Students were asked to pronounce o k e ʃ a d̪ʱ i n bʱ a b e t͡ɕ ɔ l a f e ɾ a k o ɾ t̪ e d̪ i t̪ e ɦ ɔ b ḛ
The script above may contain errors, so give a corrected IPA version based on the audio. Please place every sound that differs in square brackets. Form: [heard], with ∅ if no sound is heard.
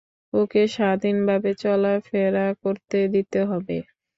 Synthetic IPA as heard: o k e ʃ a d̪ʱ i n bʱ a b e t͡ɕ ɔ l a f e ɾ a k o ɾ t̪ e d̪ i t̪ e ɦ ɔ b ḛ

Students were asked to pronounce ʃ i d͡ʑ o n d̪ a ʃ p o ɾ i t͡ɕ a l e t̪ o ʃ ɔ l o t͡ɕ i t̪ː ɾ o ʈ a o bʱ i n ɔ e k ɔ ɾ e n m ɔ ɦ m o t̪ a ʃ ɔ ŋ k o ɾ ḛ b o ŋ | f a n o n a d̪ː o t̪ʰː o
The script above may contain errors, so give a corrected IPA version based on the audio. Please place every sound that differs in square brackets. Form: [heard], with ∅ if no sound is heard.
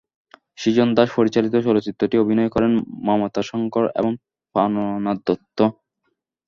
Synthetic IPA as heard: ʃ i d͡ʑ o n d̪ a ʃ p o ɾ i t͡ɕ a l [i] t̪ o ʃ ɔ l o t͡ɕ i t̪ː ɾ o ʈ [i] o bʱ i n ɔ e k ɔ ɾ e n m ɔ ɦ m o t̪ a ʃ ɔ ŋ k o ɾ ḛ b o ŋ | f a n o n a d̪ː o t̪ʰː o

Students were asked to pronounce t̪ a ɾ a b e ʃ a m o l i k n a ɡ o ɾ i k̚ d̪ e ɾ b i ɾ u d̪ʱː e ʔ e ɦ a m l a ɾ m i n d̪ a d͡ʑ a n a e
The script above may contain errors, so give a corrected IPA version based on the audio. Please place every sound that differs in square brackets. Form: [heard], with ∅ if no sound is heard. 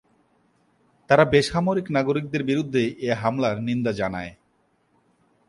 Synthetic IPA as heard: t̪ a ɾ a b e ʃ a m o [ɾ] i k n a ɡ o ɾ i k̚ d̪ e ɾ b i ɾ u d̪ʱː e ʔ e ɦ a m l a ɾ [n] i n d̪ a d͡ʑ a n a e

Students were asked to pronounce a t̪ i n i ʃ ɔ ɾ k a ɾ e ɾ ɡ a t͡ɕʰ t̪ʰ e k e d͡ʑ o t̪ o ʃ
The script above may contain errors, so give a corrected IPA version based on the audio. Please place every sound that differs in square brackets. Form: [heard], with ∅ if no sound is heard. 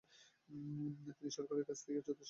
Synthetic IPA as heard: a t̪ i n i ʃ ɔ ɾ k a ɾ e ɾ [k] a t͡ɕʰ t̪ʰ e k e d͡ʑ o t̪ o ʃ

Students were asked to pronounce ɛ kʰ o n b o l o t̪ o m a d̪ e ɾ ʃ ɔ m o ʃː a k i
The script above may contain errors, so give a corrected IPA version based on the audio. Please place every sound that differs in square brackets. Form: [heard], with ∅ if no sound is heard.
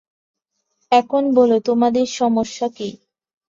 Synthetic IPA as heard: ɛ kʰ o n b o l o t̪ o m a d̪ e ɾ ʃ ɔ m o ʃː a k i

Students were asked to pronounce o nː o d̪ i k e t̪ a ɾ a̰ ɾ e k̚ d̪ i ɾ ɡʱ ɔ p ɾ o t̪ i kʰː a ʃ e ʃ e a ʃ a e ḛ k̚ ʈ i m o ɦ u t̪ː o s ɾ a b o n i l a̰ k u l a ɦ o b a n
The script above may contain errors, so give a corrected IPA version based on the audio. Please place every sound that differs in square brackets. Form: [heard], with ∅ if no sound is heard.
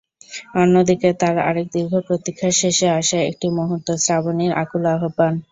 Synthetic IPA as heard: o nː o d̪ i k e t̪ a ɾ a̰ ɾ e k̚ d̪ i ɾ ɡʱ [o] p ɾ o t̪ i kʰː a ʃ e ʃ e a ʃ a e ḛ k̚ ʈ i m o ɦ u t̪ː o s ɾ a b o n i [ɾ] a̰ k u l a ɦ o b a n

